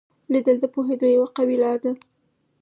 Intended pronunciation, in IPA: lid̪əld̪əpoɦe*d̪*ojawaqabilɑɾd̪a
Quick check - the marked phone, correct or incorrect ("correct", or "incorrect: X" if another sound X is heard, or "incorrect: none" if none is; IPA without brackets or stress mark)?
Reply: correct